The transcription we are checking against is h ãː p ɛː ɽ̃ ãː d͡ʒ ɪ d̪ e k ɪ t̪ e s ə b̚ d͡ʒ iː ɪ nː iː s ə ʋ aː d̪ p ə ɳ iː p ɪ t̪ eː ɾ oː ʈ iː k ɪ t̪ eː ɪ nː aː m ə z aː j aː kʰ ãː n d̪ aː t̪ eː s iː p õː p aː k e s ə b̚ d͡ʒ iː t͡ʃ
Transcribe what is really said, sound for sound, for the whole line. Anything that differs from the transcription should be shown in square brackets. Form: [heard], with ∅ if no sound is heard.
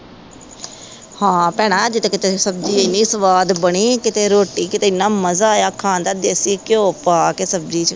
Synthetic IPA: h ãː p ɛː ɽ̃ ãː d͡ʒ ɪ [t̪] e k ɪ t̪ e s ə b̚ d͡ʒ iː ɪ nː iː s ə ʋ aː d̪ [b] ə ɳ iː [k] ɪ t̪ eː ɾ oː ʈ iː k ɪ t̪ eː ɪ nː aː m ə z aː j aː kʰ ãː n d̪ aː [d̪] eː s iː [k] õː p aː k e s ə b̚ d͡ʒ iː t͡ʃ